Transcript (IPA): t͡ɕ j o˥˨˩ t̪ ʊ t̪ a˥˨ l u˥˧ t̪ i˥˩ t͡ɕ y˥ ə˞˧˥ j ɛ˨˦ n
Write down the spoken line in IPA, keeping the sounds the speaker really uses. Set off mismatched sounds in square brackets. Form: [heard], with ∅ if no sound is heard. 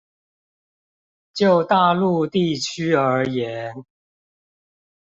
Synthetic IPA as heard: t͡ɕ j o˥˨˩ [∅] ʊ t̪ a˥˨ l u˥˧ t̪ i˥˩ [t͡ɕʰ] y˥ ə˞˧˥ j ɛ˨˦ n